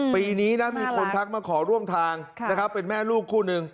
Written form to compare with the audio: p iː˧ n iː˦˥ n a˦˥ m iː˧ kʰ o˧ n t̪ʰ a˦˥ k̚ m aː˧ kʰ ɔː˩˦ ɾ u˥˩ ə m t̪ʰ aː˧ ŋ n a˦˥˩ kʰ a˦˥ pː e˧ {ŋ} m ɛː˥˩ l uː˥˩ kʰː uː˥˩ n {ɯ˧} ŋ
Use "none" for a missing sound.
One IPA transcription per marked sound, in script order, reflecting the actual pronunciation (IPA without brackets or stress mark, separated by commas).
n, ɯ˧